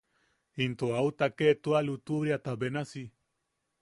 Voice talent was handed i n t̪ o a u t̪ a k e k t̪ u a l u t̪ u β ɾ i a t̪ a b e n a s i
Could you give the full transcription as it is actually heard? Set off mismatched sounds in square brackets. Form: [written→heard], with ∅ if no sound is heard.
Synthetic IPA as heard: i n t̪ o a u t̪ a k e [k→∅] t̪ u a l u t̪ u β ɾ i a t̪ a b e n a s i